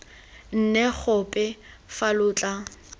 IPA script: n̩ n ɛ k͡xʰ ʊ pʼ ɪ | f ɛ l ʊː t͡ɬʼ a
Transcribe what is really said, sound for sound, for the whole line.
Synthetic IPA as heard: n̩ n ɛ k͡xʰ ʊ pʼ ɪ | f a l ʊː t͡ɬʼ a